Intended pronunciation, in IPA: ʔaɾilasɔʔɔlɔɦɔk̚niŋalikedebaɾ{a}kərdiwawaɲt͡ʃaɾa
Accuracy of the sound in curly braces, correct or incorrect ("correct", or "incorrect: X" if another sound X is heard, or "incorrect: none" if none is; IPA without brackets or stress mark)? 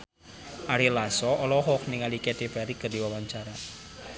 incorrect: i